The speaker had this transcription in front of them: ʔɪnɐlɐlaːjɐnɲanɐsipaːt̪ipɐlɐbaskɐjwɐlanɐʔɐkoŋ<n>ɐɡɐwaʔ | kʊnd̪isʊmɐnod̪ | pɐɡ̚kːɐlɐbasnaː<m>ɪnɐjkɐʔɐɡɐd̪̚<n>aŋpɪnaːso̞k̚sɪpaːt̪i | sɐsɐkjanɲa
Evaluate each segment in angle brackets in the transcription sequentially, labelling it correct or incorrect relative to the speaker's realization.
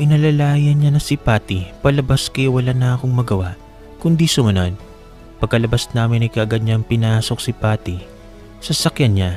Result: incorrect, correct, incorrect

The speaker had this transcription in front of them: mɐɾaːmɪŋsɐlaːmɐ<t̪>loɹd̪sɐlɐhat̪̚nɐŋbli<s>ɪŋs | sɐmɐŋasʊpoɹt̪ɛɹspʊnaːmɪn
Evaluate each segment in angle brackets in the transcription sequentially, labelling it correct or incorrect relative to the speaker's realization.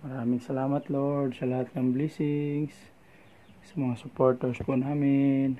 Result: correct, correct

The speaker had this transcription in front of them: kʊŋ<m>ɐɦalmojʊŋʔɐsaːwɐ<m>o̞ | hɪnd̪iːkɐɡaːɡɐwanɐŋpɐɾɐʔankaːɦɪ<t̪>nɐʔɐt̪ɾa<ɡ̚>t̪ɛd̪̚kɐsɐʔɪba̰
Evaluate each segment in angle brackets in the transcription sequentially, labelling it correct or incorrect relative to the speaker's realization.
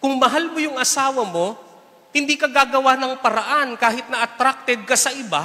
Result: correct, correct, correct, incorrect

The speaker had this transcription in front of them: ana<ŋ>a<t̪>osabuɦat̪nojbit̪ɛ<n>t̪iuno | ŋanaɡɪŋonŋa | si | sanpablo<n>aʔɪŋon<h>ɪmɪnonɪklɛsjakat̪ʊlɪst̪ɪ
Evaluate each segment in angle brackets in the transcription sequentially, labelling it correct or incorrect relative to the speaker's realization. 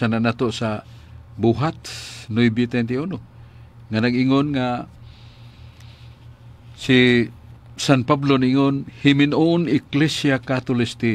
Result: incorrect, correct, correct, correct, correct

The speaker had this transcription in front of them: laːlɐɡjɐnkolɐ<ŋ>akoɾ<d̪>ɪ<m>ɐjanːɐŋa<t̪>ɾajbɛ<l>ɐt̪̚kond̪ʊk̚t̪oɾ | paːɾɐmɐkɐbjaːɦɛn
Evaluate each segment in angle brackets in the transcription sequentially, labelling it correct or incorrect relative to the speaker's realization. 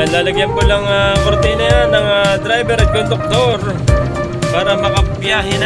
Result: correct, incorrect, incorrect, incorrect, incorrect

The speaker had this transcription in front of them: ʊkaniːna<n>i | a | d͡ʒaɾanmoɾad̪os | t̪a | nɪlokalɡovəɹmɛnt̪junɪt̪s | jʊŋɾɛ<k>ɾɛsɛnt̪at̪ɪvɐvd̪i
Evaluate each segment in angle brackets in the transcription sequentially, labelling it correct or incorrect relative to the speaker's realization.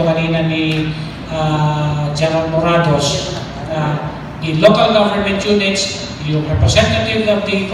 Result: correct, incorrect

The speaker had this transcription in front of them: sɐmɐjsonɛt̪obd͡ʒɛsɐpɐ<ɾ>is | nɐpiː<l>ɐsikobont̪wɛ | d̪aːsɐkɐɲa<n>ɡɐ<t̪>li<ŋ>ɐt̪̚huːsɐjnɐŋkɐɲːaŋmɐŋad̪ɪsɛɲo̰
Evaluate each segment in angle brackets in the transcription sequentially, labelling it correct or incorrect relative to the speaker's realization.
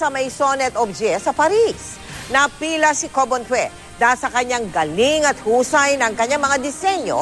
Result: correct, correct, incorrect, incorrect, correct

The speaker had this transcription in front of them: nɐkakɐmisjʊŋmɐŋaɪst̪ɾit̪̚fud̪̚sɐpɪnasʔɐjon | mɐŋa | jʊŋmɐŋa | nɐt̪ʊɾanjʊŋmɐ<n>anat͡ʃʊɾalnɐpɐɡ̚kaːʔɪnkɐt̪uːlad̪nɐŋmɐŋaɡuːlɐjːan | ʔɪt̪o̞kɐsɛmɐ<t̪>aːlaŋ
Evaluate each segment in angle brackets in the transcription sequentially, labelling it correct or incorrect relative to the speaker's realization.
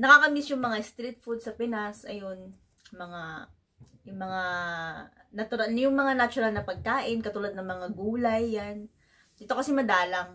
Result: incorrect, incorrect

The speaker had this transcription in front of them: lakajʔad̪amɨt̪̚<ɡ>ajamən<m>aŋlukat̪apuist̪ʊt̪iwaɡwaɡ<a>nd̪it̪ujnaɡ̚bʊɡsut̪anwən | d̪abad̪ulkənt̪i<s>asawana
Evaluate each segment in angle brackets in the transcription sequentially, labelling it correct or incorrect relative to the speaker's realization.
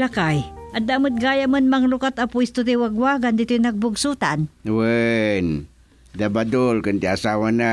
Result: correct, correct, correct, incorrect

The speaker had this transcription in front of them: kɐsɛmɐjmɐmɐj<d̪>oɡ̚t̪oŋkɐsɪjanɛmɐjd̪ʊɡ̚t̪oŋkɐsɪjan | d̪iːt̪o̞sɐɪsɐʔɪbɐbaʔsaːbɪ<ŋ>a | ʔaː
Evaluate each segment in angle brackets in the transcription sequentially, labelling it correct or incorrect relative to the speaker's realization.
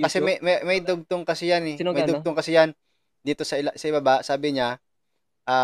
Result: correct, incorrect

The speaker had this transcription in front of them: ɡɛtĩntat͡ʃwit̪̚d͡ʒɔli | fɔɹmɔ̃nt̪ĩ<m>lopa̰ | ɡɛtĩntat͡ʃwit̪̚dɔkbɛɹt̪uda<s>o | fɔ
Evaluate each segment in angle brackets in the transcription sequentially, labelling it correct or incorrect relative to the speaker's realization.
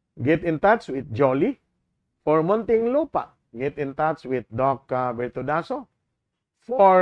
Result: incorrect, correct

